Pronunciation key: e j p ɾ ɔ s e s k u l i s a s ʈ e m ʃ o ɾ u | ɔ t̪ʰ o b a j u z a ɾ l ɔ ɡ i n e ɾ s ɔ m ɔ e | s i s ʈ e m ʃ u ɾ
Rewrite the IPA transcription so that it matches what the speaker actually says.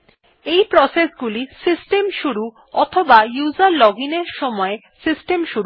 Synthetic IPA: e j p ɾ ɔ s e s ɡ u l i s i s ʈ e m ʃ u ɾ u | ɔ t̪ʰ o b a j u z a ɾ l ɔ ɡ i n e ɾ ʃ ɔ m ɔ e | s i s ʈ e m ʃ u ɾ